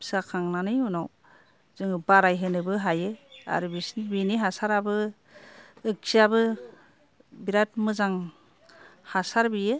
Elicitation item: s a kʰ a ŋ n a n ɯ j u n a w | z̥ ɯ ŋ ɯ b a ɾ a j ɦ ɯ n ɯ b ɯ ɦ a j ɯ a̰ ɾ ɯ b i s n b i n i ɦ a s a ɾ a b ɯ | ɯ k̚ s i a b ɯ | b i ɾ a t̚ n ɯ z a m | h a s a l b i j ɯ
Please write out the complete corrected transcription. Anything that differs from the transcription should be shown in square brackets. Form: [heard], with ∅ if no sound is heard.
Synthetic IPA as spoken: s a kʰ a ŋ n a n ɯ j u n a w | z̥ ɯ ŋ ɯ b a ɾ a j ɦ ɯ n ɯ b ɯ ɦ a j ɯ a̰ ɾ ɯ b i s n b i n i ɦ a s a ɾ a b ɯ | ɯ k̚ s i a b ɯ | b i ɾ a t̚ [m] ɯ z a [ŋ] | h a s a [ɾ] b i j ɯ